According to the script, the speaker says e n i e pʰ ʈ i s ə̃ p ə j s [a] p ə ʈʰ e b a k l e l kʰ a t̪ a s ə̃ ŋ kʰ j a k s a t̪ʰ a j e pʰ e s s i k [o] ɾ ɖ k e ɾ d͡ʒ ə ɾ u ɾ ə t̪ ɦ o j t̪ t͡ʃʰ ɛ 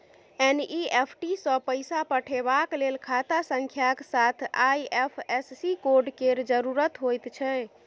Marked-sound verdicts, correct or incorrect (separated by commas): correct, correct